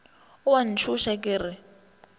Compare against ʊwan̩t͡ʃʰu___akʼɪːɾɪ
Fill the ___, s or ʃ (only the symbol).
ʃ